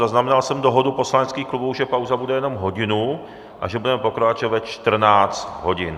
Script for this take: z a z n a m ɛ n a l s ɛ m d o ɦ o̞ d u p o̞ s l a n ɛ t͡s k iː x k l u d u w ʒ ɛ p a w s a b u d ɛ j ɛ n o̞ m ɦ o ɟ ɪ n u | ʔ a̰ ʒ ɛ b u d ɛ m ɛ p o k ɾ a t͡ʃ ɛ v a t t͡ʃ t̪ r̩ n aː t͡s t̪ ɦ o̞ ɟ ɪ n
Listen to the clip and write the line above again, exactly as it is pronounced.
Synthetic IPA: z a z n a m ɛ n a l s ɛ m d o ɦ o̞ d u p o̞ s l a n ɛ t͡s k iː x k l u b u w ʒ ɛ p a w z a b u d ɛ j ɛ n o̞ m ɦ o ɟ ɪ n u | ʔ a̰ ʒ ɛ b u d ɛ m ɛ p o k ɾ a t͡ʃ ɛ v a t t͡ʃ t̪ r̩ n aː t͡s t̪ ɦ o̞ ɟ ɪ n

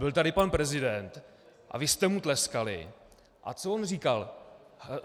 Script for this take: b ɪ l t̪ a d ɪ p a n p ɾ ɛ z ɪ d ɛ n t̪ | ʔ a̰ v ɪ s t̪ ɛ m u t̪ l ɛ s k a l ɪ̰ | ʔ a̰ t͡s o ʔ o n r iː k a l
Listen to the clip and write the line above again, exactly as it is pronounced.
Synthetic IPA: b ɪ l t̪ a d ɪ p a n p ɾ ɛ z ɪ d ɛ n t̪ | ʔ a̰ v ɪ s t̪ ɛ m u t̪ l ɛ s k a l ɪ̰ | ʔ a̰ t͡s o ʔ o n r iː k a l

